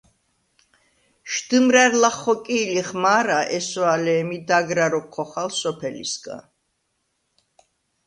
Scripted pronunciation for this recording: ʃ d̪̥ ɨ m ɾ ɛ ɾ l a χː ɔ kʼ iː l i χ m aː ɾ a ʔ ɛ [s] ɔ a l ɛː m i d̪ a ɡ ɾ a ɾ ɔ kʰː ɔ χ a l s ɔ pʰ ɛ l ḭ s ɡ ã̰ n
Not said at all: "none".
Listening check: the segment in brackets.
s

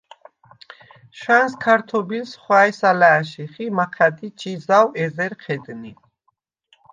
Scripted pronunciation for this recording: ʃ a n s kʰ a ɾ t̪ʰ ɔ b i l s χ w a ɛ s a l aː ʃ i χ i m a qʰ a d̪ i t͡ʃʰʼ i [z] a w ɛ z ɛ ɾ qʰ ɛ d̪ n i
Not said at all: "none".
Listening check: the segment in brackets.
z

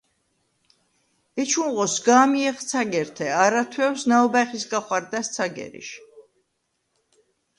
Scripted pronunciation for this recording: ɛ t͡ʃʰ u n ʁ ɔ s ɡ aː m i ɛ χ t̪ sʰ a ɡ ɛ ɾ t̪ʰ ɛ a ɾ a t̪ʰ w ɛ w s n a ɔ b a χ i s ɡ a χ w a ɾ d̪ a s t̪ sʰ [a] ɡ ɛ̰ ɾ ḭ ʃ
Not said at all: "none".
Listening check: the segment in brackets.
a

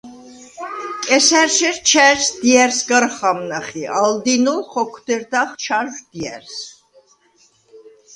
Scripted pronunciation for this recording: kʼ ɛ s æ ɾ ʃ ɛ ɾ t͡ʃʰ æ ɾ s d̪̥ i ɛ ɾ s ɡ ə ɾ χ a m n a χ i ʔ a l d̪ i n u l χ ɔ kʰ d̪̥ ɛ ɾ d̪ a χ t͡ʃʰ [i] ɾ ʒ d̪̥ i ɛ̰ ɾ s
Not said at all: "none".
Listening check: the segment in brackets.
a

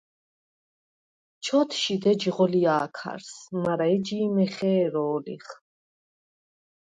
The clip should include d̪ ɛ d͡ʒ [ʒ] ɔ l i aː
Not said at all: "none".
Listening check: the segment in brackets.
ʁ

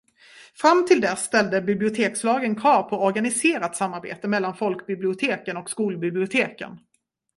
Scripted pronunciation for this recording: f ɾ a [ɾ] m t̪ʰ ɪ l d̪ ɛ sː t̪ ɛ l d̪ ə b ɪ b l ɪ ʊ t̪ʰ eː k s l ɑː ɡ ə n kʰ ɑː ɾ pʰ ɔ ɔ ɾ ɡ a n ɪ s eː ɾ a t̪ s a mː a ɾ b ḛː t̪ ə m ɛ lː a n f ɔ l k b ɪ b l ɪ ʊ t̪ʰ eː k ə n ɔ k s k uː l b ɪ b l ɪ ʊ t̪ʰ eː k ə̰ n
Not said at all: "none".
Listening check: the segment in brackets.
none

